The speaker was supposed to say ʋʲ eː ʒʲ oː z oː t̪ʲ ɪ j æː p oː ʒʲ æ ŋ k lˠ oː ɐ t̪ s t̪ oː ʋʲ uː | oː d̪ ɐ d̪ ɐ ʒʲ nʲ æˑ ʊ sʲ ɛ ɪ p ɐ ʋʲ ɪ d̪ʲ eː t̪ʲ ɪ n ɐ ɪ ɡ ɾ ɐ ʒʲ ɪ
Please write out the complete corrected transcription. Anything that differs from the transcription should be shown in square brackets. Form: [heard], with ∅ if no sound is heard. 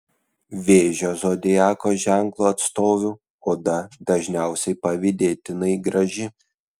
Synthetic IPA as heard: ʋʲ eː ʒʲ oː z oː [d̪ʲ] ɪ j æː [k] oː ʒʲ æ ŋ k lˠ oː ɐ t̪ s t̪ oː ʋʲ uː | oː d̪ ɐ d̪ ɐ ʒʲ nʲ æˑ ʊ sʲ ɛ ɪ p ɐ ʋʲ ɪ d̪ʲ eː t̪ʲ ɪ n ɐ ɪ ɡ ɾ ɐ ʒʲ ɪ